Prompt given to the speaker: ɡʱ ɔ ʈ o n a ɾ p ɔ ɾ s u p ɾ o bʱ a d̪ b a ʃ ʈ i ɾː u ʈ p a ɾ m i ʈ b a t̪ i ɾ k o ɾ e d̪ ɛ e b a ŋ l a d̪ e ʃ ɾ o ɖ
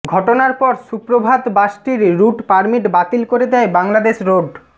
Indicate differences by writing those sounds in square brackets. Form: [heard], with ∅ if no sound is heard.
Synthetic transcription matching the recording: ɡʱ ɔ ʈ o n a ɾ p ɔ ɾ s u p ɾ o bʱ a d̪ b a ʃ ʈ i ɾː u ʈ p a ɾ m i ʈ b a t̪ i [l] k o ɾ e d̪ ɛ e b a ŋ l a d̪ e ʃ ɾ o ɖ